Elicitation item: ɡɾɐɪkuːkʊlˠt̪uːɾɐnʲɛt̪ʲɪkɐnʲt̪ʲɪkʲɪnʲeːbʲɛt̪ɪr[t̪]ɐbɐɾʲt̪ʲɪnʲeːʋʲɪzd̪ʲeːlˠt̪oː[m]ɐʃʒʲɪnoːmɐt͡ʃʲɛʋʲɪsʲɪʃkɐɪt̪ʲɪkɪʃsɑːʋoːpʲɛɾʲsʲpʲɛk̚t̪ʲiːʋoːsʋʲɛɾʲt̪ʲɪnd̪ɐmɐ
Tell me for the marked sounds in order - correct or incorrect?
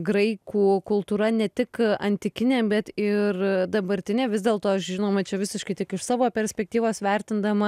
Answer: incorrect, incorrect

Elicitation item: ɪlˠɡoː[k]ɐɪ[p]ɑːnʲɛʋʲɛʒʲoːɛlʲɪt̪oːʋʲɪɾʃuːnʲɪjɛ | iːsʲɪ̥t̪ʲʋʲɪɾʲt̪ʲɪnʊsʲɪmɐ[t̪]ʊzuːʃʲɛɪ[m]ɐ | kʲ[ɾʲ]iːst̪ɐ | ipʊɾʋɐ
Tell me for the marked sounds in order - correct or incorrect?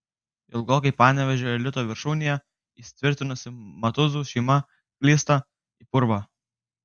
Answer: correct, correct, correct, correct, incorrect

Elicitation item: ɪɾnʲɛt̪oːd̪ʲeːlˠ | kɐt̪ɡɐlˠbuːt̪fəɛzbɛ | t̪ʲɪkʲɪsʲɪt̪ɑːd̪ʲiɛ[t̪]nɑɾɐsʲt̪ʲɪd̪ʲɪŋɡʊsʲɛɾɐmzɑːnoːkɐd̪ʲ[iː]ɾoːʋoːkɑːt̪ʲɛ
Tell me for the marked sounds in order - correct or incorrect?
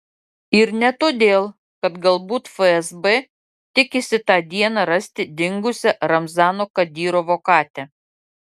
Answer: incorrect, correct

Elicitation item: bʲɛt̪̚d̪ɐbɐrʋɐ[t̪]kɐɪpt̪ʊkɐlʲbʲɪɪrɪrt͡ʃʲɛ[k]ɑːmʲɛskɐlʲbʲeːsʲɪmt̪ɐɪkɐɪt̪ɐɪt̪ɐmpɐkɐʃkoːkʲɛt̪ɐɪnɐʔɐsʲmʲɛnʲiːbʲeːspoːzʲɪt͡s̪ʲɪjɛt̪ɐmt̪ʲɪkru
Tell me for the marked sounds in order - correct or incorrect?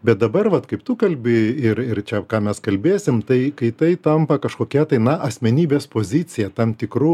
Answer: correct, correct

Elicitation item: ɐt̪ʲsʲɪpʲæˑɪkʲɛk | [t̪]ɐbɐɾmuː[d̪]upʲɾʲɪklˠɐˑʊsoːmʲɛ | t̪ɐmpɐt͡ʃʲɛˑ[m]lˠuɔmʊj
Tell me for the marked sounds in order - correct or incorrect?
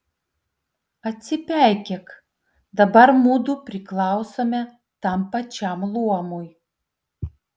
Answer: incorrect, correct, correct

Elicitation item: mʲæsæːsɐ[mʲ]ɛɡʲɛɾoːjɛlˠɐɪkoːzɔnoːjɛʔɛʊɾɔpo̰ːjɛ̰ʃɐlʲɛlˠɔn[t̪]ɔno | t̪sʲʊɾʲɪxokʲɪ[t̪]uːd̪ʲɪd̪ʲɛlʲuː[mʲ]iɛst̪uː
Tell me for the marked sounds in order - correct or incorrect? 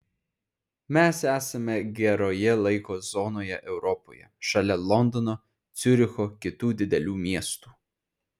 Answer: correct, incorrect, correct, correct

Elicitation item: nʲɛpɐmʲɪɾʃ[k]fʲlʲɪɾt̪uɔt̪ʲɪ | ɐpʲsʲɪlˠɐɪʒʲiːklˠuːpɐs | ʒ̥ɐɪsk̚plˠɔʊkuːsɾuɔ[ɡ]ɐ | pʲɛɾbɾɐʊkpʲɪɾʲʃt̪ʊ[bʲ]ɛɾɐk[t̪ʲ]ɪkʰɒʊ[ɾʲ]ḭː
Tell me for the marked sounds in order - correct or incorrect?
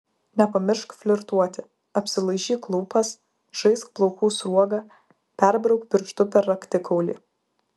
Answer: correct, correct, incorrect, correct, incorrect

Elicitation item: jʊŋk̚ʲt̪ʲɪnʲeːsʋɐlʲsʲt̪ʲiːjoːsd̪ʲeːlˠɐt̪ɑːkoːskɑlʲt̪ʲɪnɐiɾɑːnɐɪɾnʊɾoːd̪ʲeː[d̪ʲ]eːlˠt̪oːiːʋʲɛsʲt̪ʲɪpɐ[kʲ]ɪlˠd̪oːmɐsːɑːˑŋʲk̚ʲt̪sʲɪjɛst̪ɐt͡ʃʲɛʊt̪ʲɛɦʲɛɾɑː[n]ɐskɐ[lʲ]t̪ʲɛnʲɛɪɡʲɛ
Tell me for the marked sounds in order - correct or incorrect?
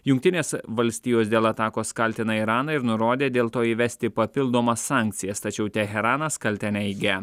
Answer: correct, incorrect, correct, correct

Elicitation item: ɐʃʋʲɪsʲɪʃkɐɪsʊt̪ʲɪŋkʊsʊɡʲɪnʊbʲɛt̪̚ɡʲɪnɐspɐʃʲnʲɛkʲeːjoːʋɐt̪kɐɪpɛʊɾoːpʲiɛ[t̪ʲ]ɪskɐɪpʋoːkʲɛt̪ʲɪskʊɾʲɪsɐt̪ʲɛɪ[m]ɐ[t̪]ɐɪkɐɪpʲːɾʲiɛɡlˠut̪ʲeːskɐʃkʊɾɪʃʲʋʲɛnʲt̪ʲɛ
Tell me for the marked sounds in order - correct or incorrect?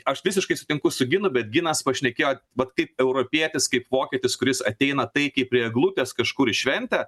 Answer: correct, incorrect, correct

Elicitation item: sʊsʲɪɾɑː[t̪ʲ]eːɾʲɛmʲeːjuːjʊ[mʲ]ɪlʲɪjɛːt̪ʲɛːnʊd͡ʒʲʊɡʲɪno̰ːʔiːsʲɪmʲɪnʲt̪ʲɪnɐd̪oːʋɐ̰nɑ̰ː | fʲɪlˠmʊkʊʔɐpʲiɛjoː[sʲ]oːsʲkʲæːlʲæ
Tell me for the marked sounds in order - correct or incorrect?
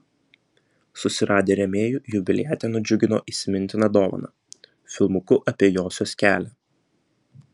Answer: incorrect, incorrect, correct

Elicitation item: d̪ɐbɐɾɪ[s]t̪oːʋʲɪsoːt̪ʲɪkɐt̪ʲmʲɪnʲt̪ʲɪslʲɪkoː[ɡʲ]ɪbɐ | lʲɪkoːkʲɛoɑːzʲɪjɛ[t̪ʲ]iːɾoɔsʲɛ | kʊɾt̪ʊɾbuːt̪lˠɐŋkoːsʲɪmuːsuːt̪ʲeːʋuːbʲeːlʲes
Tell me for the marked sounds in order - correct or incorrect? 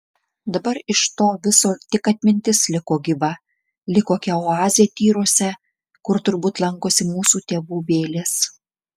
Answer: incorrect, correct, correct

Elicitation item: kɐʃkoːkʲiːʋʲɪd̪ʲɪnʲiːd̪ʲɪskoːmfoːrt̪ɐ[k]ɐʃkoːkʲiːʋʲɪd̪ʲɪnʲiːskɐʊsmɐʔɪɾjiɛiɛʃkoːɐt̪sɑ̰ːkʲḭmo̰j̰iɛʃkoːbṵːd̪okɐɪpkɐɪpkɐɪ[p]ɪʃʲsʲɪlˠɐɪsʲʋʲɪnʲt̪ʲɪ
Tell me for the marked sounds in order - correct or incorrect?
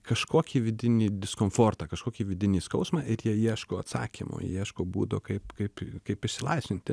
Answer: correct, correct

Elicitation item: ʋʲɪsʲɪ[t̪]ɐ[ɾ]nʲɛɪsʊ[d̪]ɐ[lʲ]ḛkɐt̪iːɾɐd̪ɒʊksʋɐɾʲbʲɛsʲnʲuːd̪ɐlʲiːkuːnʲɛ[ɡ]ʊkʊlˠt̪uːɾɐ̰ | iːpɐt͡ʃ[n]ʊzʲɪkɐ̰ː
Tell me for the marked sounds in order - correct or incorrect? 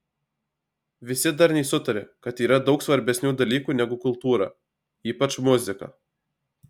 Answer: incorrect, correct, incorrect, incorrect, correct, incorrect

